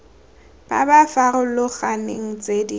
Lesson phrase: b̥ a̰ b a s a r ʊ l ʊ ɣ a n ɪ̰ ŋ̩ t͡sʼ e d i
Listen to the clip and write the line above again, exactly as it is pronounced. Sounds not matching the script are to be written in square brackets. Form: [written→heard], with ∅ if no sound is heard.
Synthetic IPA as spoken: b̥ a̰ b a [s→f] a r ʊ l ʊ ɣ a n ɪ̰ ŋ̩ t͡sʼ e d i